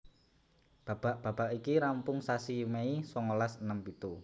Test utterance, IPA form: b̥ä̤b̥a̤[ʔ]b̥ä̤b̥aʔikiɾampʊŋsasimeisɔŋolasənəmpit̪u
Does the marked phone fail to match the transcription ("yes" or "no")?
no